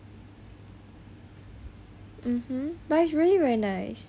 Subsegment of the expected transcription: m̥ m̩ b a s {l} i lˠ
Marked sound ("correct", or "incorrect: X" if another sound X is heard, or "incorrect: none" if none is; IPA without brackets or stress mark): incorrect: ɹ